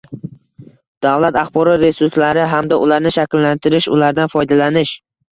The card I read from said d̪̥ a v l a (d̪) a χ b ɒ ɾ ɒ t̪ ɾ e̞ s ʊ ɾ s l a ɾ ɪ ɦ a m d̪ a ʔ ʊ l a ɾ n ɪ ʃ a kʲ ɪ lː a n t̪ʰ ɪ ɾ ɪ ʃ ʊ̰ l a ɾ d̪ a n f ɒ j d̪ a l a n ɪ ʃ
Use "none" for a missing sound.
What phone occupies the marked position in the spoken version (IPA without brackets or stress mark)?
t̪